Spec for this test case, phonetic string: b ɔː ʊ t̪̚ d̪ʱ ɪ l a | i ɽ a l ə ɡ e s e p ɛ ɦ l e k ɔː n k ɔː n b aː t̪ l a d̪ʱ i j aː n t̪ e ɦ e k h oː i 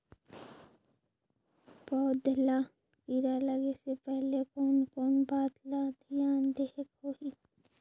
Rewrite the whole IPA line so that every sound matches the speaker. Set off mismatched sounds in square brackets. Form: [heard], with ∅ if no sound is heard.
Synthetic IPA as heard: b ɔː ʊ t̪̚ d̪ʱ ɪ l a | i [ɾ] a l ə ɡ e s e p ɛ ɦ l e k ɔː n k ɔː n b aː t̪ l a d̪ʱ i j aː n [d̪] e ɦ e k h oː i